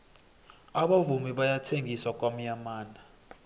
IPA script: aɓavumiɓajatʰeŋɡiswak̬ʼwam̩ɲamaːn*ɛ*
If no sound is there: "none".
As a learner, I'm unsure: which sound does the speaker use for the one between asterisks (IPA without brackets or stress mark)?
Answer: a